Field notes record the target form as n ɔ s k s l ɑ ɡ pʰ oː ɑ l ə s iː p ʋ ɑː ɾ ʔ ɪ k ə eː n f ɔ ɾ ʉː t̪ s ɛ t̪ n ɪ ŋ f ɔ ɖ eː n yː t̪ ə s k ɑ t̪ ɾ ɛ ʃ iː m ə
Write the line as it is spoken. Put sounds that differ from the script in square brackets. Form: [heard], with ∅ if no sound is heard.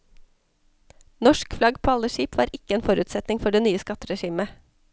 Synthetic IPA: n ɔ [ʃ] k [f] l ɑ ɡ pʰ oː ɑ l ə [ʃ] iː p ʋ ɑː ɾ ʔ ɪ k ə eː n f ɔ ɾ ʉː t̪ s ɛ t̪ n ɪ ŋ f ɔ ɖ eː n yː [∅] ə s k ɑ t̪ ɾ ɛ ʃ iː m ə